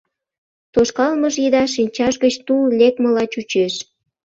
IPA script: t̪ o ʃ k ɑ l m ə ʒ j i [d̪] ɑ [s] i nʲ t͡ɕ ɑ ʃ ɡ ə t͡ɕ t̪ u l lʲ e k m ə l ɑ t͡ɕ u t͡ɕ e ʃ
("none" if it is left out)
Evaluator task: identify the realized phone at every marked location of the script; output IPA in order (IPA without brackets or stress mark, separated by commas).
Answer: d̪, ʃ